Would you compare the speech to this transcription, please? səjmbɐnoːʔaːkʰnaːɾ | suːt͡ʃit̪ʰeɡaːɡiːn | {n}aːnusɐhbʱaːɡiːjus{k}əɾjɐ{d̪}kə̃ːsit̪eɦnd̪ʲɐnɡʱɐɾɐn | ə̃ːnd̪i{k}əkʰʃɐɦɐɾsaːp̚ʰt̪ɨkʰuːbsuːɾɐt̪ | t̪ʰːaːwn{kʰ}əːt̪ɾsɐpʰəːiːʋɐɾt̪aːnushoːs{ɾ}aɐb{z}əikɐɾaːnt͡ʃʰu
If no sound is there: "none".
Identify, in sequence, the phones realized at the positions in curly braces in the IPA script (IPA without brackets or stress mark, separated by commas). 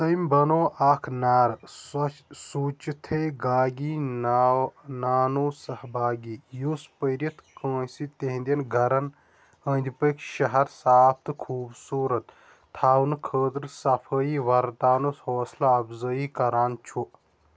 n, p, t̪, p, kʰ, l, z